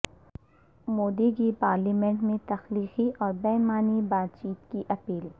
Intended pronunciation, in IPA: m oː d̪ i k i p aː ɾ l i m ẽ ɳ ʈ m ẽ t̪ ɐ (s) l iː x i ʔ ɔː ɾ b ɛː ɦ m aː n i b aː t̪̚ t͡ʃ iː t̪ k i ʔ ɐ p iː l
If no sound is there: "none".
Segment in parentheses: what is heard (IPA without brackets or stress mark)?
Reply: x